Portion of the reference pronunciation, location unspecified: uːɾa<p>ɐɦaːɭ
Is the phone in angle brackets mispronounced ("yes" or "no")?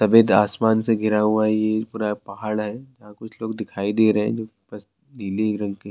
no